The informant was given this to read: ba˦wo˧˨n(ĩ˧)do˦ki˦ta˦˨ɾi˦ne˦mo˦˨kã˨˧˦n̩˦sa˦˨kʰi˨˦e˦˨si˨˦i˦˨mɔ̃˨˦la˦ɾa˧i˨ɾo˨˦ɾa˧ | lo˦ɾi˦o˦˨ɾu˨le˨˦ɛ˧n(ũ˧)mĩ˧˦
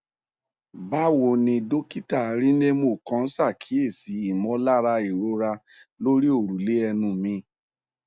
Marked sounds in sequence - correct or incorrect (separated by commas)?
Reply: correct, correct